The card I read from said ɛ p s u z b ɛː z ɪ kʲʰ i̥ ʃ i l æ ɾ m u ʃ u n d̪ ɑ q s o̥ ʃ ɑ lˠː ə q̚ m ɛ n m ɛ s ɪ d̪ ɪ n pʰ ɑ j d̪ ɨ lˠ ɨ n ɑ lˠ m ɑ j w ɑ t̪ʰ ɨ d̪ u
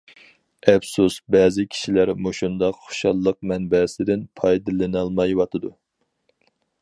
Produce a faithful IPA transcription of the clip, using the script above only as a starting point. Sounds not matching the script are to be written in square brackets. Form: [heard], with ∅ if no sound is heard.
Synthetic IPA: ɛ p s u [s] b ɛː z ɪ kʲʰ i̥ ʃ i l æ ɾ m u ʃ u n d̪ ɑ q [χ] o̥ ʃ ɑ lˠː ə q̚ m ɛ n [b] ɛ s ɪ d̪ ɪ n pʰ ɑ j d̪ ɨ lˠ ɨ n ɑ lˠ m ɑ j w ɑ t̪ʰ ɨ d̪ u